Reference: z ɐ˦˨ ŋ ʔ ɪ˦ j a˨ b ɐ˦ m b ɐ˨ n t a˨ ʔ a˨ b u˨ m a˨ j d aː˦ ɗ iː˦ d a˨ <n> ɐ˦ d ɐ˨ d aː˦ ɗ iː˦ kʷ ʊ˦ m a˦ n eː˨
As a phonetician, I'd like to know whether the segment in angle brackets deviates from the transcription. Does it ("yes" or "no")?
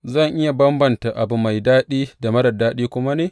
yes